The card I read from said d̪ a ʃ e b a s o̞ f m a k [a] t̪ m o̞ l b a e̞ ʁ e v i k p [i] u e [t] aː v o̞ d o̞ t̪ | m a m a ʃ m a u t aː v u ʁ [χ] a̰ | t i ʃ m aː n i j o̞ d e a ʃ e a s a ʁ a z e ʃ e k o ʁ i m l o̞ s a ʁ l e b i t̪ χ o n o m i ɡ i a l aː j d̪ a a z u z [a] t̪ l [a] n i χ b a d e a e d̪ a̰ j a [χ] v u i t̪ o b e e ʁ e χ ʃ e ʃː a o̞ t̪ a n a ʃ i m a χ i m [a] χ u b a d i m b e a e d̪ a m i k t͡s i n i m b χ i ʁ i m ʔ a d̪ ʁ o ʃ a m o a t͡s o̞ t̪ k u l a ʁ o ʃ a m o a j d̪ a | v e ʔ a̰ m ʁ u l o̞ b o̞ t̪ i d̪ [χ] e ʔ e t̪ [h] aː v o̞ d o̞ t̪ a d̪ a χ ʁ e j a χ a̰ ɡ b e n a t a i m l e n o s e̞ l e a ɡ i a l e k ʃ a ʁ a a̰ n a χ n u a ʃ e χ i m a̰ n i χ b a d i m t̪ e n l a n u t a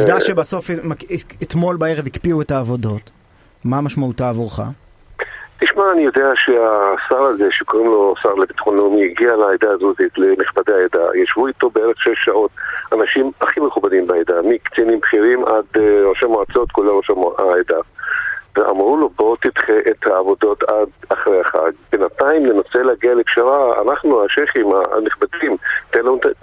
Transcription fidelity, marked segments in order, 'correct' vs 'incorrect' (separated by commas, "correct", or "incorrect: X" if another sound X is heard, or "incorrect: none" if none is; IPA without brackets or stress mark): incorrect: e, correct, correct, correct, incorrect: i, incorrect: e, incorrect: ʃ, incorrect: e, correct, correct